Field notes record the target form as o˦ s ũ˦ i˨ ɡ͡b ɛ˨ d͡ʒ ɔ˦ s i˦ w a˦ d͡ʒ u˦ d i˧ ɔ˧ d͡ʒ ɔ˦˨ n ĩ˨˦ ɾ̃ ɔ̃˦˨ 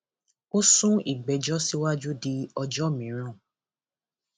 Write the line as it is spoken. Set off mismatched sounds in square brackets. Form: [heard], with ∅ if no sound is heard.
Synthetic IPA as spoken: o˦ s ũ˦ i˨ ɡ͡b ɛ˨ d͡ʒ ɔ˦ s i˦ w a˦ d͡ʒ u˦ d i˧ ɔ˧ d͡ʒ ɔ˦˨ [m] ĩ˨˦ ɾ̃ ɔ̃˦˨

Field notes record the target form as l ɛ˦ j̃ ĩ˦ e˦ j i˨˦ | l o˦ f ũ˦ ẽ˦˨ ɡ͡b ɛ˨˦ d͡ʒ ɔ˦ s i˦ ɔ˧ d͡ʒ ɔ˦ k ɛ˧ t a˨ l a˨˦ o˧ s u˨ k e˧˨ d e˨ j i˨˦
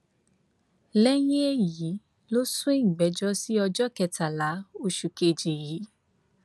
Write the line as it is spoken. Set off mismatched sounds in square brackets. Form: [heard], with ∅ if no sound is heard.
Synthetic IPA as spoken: l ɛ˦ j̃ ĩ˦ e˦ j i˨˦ | l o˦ [s] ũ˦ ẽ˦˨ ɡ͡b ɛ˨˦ d͡ʒ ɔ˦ s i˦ ɔ˧ d͡ʒ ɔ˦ k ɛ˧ t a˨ l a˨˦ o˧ [ʃ] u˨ k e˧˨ [d͡ʒ] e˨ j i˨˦

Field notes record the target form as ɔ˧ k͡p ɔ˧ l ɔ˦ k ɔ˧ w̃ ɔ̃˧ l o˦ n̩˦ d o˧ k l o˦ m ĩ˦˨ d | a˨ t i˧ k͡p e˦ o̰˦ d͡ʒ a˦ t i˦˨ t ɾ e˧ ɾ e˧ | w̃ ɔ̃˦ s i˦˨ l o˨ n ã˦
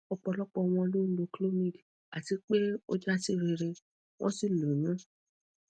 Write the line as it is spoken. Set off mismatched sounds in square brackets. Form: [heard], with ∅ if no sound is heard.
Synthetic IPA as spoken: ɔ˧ k͡p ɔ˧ l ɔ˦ [k͡p] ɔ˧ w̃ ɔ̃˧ l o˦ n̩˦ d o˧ k l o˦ m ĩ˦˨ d | a˨ t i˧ k͡p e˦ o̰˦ d͡ʒ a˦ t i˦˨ [∅] ɾ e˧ ɾ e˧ | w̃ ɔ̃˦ s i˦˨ l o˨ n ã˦

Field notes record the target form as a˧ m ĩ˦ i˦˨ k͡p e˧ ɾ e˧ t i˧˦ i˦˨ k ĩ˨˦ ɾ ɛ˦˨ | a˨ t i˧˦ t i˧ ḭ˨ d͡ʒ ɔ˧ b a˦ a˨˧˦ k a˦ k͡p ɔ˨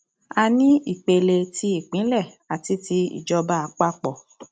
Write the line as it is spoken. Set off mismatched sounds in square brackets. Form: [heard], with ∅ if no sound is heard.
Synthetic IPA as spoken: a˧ [n] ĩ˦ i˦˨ k͡p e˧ [l] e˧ t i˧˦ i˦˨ [k͡p] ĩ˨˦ [l] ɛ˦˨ | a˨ t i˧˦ t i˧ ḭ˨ d͡ʒ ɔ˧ b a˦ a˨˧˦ [k͡p] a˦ k͡p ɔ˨

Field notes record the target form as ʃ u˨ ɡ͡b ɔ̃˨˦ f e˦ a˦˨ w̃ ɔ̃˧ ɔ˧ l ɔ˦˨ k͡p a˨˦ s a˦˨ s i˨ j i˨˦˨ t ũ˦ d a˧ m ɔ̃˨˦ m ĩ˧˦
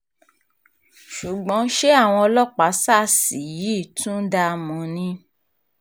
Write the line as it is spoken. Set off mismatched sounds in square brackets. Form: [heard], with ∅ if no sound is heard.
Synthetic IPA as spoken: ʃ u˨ ɡ͡b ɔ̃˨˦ [ʃ] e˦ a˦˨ w̃ ɔ̃˧ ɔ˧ l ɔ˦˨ k͡p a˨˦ s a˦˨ s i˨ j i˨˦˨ t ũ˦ d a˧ m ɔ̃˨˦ [n] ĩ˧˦

